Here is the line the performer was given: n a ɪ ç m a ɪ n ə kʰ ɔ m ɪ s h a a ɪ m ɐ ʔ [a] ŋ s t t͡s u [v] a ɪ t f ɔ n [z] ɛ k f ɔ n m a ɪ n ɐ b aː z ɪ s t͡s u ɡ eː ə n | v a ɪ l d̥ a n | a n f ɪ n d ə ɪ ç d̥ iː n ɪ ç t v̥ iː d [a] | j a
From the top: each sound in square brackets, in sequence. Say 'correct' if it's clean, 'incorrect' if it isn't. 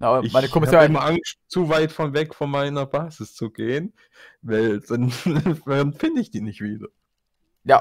correct, correct, incorrect: v, incorrect: ɐ

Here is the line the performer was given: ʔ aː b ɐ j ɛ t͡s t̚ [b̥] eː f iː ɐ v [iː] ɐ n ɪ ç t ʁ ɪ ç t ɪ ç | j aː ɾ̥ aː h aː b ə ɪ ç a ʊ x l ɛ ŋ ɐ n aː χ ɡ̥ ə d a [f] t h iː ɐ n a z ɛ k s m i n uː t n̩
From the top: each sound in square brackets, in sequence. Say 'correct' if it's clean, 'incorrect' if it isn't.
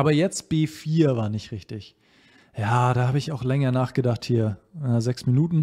correct, incorrect: aː, incorrect: χ

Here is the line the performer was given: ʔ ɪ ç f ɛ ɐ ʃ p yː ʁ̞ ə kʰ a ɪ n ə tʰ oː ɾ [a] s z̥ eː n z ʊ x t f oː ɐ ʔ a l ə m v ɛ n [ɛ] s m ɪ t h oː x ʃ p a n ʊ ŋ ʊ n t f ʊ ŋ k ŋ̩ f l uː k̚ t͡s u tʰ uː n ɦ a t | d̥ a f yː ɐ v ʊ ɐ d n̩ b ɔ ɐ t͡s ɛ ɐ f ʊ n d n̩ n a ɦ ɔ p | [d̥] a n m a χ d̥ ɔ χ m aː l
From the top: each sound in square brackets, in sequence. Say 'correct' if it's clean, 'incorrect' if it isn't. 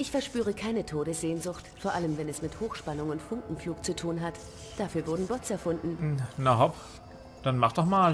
incorrect: ə, correct, correct

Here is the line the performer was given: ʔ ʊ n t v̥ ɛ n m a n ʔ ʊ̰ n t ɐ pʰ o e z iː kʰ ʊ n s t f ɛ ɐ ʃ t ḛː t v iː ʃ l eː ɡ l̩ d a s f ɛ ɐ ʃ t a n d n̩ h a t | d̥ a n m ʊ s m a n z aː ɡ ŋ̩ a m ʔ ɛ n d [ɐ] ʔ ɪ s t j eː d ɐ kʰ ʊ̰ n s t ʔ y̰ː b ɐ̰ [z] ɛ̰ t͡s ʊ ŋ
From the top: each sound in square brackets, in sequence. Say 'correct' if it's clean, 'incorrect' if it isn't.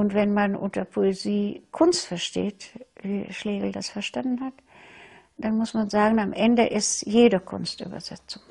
incorrect: ə, correct

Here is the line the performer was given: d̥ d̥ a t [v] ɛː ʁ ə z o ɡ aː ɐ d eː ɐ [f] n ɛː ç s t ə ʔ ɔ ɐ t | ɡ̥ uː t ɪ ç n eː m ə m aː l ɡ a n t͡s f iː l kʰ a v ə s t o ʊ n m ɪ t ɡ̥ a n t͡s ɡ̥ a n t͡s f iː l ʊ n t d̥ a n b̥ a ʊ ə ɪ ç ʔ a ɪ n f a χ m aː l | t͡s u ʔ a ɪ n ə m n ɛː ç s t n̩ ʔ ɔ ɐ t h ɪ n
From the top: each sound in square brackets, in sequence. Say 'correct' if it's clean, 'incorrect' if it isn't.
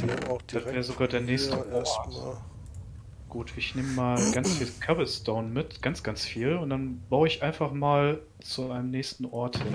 correct, incorrect: none

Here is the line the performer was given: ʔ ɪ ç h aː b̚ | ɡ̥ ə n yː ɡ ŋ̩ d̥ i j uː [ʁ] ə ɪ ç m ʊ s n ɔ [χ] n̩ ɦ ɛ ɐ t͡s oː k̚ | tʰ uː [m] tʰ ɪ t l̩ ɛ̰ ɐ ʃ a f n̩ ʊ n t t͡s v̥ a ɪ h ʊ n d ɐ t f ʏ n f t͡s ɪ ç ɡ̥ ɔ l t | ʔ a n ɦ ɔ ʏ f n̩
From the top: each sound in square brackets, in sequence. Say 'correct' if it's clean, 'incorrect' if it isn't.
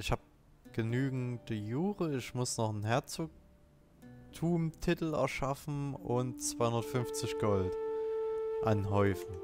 correct, correct, correct

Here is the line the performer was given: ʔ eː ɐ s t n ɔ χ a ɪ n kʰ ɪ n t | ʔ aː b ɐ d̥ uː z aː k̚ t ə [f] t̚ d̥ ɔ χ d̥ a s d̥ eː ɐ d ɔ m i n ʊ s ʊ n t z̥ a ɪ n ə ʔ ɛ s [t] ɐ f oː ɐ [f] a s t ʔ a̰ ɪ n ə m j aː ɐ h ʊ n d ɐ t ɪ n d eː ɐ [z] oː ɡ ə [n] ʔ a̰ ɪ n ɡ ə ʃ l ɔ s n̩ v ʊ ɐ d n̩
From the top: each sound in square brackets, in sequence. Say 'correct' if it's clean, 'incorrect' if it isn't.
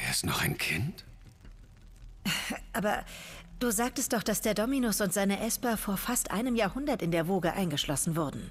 incorrect: s, incorrect: p, correct, incorrect: v, incorrect: none

